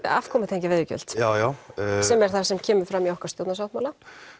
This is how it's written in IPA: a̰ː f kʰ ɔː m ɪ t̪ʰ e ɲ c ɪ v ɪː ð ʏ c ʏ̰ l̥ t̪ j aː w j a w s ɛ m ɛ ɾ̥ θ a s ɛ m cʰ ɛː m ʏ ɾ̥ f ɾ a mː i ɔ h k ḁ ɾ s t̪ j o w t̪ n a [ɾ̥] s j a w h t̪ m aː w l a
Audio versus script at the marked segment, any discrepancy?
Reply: yes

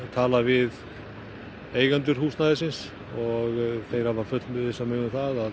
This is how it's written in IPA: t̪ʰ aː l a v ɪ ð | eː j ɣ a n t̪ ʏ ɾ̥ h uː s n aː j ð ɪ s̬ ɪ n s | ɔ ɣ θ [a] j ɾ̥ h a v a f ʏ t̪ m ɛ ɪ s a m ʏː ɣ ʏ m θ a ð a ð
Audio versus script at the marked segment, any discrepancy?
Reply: yes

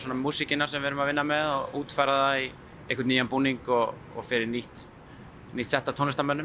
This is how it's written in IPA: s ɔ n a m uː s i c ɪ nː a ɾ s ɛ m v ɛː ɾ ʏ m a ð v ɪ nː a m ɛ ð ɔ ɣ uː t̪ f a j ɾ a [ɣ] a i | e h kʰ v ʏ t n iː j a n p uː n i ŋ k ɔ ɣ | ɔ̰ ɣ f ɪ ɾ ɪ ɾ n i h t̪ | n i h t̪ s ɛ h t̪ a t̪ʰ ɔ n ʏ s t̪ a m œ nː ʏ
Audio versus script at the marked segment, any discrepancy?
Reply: yes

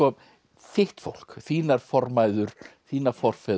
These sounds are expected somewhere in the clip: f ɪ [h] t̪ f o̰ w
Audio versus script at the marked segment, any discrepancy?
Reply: no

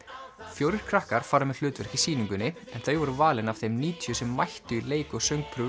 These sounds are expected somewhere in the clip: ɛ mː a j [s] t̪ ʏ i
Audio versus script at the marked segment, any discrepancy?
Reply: yes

